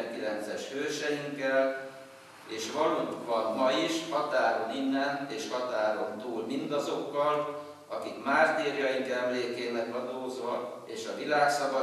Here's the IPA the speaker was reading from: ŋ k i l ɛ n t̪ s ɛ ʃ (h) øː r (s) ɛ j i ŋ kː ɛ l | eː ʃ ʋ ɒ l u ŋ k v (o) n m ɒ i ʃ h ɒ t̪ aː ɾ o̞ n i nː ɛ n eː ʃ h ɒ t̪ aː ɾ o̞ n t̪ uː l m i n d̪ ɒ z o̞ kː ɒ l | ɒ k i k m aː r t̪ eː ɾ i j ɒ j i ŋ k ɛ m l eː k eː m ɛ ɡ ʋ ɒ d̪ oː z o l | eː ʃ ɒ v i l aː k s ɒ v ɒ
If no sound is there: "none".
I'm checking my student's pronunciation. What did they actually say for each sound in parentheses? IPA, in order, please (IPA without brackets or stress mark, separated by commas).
h, ʃ, ɒ